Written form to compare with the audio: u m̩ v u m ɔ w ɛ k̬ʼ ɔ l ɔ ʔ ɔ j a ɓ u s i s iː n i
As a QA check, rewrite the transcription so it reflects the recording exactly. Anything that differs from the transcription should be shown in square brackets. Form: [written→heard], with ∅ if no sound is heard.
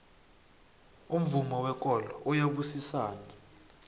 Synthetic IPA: u m̩ v u m ɔ w ɛ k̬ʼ ɔ l ɔ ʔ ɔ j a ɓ u s i s [iː→aː] n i